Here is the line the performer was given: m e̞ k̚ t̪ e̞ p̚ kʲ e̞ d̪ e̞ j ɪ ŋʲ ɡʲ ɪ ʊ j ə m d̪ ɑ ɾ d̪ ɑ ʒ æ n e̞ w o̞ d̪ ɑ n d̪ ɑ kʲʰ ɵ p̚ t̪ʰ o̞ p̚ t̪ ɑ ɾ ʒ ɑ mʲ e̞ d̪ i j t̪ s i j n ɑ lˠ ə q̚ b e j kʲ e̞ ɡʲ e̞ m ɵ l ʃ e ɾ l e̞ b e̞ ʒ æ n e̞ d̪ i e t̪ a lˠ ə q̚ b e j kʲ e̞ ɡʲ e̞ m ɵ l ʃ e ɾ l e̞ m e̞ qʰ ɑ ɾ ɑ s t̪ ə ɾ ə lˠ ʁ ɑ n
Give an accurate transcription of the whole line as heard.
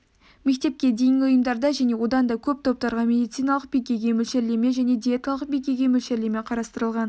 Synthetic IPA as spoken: m e̞ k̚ t̪ e̞ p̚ kʲ e̞ d̪ e̞ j ɪ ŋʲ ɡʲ ɪ ʊ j ə m d̪ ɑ ɾ d̪ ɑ ʒ æ n e̞ w o̞ d̪ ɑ n d̪ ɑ kʲʰ ɵ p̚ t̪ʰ o̞ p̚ t̪ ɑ ɾ ʁ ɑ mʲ e̞ d̪ i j t̪ s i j n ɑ lˠ ə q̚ b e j kʲ e̞ ɡʲ e̞ m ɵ l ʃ e ɾ l e̞ m e̞ ʒ æ n e̞ d̪ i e t̪ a lˠ ə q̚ b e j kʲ e̞ ɡʲ e̞ m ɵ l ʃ e ɾ l e̞ m e̞ qʰ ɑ ɾ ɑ s t̪ ə ɾ ə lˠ ʁ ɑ n